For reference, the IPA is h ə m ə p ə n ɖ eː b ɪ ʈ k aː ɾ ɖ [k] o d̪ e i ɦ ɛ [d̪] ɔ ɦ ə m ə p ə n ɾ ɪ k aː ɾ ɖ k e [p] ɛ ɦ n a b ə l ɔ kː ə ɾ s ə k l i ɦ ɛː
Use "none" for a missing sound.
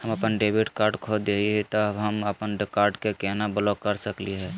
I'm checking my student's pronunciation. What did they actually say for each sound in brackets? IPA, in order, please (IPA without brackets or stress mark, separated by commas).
kʰ, t̪, k